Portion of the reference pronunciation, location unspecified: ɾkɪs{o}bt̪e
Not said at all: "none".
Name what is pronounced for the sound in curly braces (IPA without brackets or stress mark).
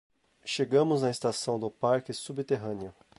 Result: u